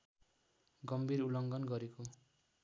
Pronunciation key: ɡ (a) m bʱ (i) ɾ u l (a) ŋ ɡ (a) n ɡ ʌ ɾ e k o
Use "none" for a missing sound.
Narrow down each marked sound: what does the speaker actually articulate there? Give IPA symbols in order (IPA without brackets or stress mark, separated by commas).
ʌ, i, ʌ, ʌ